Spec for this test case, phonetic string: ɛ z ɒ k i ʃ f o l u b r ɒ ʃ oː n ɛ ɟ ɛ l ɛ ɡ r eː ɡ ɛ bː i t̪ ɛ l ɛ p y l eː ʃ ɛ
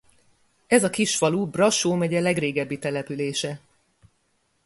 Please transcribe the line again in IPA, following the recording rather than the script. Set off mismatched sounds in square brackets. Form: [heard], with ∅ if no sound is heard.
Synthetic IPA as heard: ɛ z ɒ k i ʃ f [ɒ] l u b r ɒ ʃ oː [m] ɛ ɟ ɛ l ɛ ɡ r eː ɡ ɛ bː i t̪ ɛ l ɛ p y l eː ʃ ɛ